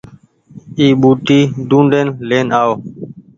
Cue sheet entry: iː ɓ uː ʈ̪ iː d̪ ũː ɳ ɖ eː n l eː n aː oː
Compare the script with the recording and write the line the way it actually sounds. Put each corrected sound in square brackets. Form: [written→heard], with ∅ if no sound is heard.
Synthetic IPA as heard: iː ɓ uː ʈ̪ iː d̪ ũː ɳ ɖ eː n l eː n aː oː